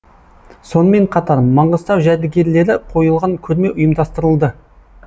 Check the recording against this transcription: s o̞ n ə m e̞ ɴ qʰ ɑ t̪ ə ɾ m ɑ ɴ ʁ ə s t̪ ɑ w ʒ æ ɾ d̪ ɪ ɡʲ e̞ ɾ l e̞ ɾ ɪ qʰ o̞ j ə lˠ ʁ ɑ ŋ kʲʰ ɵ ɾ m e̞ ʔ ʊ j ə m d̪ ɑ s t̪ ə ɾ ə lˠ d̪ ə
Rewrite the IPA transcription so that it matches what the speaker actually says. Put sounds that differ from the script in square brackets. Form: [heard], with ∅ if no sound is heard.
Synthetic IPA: s o̞ n ə m e̞ ɴ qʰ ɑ t̪ [ɑ] ɾ m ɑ ɴ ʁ ə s t̪ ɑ w ʒ æ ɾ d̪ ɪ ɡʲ e̞ ɾ l e̞ ɾ ɪ qʰ o̞ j ə lˠ ʁ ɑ ŋ kʲʰ ɵ ɾ m e̞ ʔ ʊ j ə m d̪ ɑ s t̪ ə ɾ ə lˠ d̪ ə